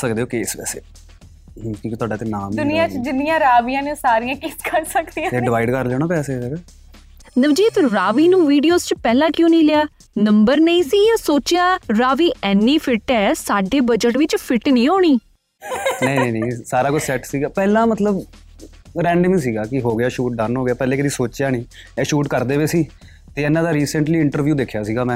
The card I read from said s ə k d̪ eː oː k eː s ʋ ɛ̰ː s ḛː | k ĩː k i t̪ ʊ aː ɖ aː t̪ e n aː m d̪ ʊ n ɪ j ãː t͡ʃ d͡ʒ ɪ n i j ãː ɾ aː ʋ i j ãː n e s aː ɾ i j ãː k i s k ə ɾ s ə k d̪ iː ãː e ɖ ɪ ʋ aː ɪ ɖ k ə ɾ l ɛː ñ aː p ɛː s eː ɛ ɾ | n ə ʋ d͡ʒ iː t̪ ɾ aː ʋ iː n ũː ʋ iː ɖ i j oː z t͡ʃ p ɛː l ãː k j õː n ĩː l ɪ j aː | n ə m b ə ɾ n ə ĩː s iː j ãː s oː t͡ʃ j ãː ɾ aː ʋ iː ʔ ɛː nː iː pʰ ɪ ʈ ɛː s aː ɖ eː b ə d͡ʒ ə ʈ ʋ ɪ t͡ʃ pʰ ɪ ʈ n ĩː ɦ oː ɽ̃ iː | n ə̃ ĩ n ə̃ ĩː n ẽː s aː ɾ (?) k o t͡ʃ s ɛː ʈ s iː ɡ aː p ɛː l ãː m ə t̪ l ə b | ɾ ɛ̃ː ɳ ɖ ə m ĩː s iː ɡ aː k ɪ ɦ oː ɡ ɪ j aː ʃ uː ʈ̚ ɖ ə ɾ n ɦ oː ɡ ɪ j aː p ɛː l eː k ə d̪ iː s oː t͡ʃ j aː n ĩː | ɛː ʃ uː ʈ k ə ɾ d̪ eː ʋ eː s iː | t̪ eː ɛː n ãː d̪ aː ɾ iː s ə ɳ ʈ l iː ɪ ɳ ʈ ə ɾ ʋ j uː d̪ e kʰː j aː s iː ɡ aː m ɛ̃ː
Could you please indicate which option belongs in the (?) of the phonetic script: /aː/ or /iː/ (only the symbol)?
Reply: aː